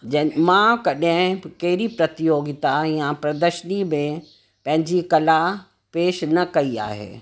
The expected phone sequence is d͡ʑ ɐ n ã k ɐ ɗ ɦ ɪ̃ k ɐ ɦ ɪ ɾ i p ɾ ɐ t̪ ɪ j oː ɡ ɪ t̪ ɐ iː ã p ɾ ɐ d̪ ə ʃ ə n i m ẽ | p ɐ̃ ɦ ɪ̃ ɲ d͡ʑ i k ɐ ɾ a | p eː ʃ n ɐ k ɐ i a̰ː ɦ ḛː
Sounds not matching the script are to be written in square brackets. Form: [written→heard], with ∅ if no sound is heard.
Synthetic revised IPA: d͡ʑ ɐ [n→m] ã k ɐ ɗ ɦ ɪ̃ k ɐ ɦ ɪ ɾ i p ɾ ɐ t̪ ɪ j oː ɡ ɪ t̪ [ɐ→a] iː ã p ɾ ɐ d̪ ə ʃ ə n i m ẽ | p ɐ̃ ɦ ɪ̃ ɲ d͡ʑ i k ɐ [ɾ→l] a | p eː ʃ n ɐ k ɐ i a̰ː ɦ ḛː